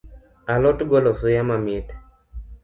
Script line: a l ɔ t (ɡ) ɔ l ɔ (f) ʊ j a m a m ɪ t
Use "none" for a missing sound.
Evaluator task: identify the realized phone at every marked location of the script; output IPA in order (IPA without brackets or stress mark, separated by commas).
ɡ, s